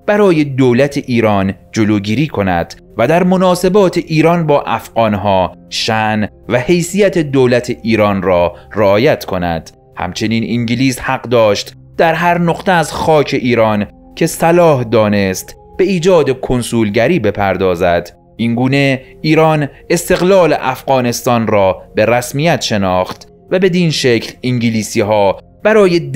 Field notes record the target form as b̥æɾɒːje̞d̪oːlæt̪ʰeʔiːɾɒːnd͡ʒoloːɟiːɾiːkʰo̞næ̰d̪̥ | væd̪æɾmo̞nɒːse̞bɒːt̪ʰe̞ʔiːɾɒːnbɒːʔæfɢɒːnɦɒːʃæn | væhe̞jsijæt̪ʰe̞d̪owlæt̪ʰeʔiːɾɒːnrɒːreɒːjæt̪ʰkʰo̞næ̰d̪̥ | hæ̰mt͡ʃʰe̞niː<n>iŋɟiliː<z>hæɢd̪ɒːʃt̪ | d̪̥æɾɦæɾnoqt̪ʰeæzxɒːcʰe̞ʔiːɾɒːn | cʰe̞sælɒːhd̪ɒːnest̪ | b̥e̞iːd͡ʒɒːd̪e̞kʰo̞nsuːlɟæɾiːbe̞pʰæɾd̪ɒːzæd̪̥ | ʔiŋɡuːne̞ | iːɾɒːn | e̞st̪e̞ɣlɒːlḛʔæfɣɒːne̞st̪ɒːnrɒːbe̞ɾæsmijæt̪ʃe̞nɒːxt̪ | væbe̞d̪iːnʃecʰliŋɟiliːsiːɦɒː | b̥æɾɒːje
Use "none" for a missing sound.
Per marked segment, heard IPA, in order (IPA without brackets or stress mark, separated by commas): n, s